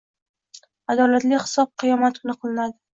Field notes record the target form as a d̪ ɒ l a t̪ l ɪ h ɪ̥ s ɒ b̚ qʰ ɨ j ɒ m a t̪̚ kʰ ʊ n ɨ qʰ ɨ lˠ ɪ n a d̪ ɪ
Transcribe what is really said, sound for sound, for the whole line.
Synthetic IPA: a d̪ ɒ l a t̪ l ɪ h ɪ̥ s ɒ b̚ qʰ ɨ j ɒ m a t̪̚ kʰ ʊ n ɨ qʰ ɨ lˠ ɪ n a d̪ ɪ

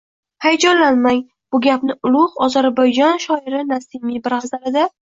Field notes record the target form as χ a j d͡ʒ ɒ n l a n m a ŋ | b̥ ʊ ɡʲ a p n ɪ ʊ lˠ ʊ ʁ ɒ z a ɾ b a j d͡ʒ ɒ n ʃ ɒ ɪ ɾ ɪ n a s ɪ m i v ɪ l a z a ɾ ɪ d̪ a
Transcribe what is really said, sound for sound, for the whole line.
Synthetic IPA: h a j d͡ʒ ɒ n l a n m a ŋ | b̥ ʊ ɡʲ a p n ɪ ʊ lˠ ʊ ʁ ɒ z a ɾ b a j d͡ʒ ɒ n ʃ ɒ ɪ ɾ ɪ n a s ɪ m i b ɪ ɾ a z a ɾ ɪ d̪ a

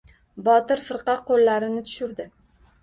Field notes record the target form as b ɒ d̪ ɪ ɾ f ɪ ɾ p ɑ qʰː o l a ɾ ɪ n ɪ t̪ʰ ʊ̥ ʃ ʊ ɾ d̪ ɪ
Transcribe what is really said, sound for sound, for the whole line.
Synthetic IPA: b ɒ t̪ ɪ ɾ f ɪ ɾ q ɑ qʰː o lː a ɾ ɪ n ɪ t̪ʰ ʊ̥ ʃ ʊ ɾ d̪ ɪ

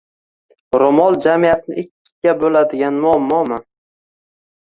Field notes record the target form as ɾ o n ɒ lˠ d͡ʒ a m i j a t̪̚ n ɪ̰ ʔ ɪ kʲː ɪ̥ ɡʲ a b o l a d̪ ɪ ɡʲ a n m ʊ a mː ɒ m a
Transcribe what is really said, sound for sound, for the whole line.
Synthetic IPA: ɾ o m ɒ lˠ d͡ʒ a m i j a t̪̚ n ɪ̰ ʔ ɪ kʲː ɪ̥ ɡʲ a b o l a d̪ ɪ ɡʲ a n m ʊ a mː ɒ m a

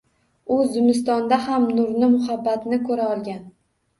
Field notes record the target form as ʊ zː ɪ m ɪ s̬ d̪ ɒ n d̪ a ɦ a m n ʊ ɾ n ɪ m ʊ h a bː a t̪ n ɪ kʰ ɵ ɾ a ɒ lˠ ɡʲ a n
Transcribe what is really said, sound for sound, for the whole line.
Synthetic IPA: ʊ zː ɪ m ɪ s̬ t̪ ɒ n d̪ a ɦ a m n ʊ ɾ n ɪ m ʊ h a bː a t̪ n ɪ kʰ ɵ ɾ a ɒ lˠ ɡʲ a n

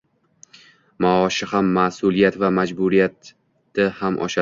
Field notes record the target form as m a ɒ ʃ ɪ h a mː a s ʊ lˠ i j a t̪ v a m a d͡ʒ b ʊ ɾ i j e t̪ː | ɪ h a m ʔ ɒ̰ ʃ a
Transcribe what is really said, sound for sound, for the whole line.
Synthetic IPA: m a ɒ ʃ ɪ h a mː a s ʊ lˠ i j a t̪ v a m a d͡ʒ b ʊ ɾ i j a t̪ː | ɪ h a m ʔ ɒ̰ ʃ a

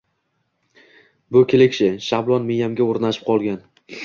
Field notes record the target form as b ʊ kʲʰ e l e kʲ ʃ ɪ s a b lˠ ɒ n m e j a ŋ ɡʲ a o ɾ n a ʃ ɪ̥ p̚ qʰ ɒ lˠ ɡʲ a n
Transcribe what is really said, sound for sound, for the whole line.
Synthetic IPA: b ʊ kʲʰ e l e kʲ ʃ ɪ ʃ a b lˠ ɒ n m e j a m ɡʲ a o ɾ n a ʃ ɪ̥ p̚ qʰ ɒ lˠ ɡʲ a n

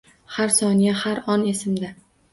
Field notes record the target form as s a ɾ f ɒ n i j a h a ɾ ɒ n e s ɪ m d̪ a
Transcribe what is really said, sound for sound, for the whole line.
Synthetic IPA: h a ɾ s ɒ n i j a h a ɾ ɒ n e s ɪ m d̪ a

